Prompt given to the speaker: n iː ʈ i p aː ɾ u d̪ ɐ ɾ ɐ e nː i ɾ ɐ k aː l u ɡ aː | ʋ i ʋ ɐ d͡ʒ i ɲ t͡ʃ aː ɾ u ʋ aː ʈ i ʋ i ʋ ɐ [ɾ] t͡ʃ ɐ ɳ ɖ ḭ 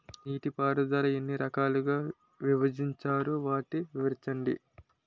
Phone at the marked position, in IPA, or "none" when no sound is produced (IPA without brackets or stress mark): ɾ